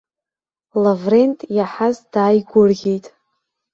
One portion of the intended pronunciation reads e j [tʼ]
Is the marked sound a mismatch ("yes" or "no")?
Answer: no